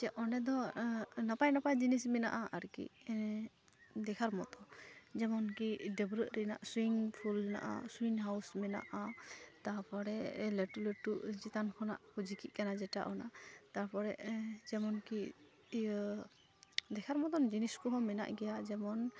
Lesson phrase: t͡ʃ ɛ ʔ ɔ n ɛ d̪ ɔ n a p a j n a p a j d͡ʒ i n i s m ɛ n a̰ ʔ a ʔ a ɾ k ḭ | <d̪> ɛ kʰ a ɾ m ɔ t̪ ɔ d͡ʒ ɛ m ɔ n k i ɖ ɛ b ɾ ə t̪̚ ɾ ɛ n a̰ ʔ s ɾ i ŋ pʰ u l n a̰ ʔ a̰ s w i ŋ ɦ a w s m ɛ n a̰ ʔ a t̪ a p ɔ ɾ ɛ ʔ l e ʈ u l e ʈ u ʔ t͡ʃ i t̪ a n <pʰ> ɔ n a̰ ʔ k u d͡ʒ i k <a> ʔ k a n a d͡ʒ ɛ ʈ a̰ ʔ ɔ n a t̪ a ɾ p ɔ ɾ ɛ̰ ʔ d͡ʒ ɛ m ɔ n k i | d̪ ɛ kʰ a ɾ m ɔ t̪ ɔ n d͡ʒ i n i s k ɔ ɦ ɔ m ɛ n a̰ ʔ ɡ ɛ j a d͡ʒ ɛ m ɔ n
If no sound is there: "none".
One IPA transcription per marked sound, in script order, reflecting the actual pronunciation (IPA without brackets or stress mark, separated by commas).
d̪, kʰ, i